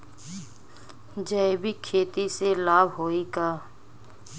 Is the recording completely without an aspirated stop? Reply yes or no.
no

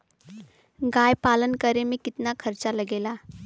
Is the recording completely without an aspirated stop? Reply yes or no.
no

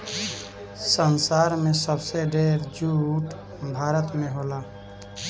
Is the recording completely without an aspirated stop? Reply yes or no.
yes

